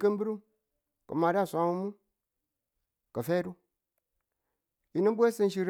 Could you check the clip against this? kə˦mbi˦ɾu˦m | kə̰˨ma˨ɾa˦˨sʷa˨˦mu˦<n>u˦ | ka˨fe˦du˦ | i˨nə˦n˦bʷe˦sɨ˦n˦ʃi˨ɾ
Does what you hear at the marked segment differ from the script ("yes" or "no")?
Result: yes